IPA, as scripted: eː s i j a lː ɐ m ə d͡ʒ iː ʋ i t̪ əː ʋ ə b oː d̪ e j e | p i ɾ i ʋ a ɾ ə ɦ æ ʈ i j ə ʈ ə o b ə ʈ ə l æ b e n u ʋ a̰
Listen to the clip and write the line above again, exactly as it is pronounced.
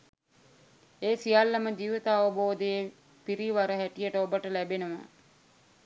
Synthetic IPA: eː s i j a lː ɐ m ə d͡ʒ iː ʋ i t̪ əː ʋ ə b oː d̪ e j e | p i ɾ i ʋ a ɾ ə ɦ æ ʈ i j ə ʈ ə o b ə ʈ ə l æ b e n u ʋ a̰